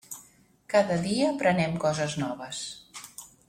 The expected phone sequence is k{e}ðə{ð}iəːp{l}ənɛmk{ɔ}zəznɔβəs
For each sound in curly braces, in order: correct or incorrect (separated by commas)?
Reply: incorrect, correct, incorrect, correct